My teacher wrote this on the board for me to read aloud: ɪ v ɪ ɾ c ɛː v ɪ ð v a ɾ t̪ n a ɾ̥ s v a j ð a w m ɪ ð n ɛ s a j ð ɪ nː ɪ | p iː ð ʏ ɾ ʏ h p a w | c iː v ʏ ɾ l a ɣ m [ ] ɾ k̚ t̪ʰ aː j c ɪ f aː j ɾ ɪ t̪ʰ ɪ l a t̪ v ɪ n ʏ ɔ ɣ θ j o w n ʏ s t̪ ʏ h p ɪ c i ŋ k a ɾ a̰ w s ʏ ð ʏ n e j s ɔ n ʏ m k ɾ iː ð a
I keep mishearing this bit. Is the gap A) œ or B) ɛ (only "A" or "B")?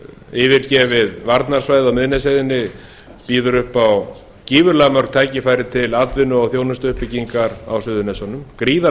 A